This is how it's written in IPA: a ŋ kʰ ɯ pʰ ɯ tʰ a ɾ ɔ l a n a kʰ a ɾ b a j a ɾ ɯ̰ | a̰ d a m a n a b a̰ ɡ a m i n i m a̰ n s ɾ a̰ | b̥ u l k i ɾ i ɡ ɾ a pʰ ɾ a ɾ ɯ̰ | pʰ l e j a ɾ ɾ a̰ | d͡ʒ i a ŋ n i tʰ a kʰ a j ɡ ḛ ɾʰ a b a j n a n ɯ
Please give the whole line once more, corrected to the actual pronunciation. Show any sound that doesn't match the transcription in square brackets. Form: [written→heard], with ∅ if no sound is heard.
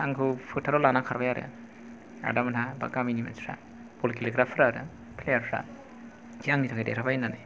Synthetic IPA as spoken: a ŋ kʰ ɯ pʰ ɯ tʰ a ɾ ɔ l a n a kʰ a ɾ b a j a ɾ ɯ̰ | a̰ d a m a n a b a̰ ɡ a m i n i m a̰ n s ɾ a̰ | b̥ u l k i [ɾ→l] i ɡ ɾ a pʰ ɾ a ɾ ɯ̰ | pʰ l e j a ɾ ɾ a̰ | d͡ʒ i a ŋ n i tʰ a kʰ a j [ɡ→d] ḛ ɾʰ a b a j n a n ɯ

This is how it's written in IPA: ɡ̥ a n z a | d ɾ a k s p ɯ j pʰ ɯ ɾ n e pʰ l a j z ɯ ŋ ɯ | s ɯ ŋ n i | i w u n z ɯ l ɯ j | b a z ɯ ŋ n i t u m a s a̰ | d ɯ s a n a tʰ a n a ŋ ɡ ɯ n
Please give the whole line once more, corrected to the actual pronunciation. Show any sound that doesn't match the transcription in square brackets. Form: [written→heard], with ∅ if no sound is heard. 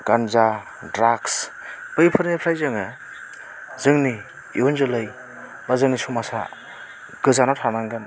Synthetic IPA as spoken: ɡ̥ a n z a | d ɾ a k s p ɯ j pʰ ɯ ɾ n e pʰ [l→ɾ] a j z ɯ ŋ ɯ | [s→z] ɯ ŋ n i | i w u n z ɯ l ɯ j | b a z ɯ ŋ n i [t→s] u m a s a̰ | [d→ɡ] ɯ [s→z] a n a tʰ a n a ŋ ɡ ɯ n

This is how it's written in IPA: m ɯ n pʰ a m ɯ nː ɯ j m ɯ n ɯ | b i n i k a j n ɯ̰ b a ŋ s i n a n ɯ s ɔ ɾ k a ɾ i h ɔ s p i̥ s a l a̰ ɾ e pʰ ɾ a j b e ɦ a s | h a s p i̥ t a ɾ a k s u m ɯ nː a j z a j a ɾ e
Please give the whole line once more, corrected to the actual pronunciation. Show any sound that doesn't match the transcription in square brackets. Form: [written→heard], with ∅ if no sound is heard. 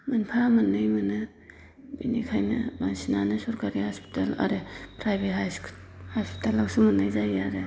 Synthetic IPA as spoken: m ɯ n pʰ a m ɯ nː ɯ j m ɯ n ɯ | b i n i [k→kʰ] a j n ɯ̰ b a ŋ s i n a n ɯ s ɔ ɾ k a ɾ i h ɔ s p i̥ [s→t] a l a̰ ɾ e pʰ ɾ a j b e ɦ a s | h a s p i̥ t a [ɾ→l] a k s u m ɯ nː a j z a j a ɾ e

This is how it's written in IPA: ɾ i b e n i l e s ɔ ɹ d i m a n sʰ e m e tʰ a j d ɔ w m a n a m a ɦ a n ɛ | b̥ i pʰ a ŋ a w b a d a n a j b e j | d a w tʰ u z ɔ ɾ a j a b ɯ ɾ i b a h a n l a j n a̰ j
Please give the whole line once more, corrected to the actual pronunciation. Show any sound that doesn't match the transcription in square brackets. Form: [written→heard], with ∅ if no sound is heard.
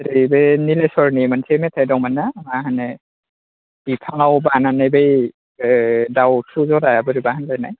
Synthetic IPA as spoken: ɾ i b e n i l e s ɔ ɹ [d→n] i m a n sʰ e m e tʰ a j d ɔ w m a n a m a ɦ a n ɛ | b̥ i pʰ a ŋ a w b a [d→n] a n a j b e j | d a w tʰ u z ɔ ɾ a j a b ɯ ɾ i b a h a n l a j n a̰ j

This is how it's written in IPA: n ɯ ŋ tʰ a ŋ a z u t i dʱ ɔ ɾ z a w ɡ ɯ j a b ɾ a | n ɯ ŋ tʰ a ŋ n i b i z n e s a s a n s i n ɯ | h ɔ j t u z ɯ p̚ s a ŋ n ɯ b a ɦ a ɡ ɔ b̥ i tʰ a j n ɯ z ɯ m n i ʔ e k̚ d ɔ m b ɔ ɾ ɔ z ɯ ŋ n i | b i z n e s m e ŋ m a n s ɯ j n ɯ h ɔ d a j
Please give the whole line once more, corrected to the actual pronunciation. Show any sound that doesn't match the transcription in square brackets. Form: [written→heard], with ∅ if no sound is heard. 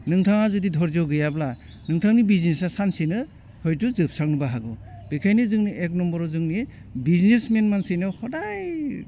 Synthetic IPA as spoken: n ɯ ŋ tʰ a ŋ a z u [t→d] i dʱ ɔ ɾ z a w ɡ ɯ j a b [ɾ→l] a | n ɯ ŋ tʰ a ŋ n i b i z n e s a s a n s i n ɯ | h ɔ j t u z ɯ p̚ s a ŋ n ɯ b a ɦ a ɡ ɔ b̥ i [tʰ→kʰ] a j n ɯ z ɯ [m→ŋ] n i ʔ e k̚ [d→n] ɔ m b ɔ ɾ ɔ z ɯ ŋ n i | b i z n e s m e [ŋ→n] m a n s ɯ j n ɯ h ɔ d a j

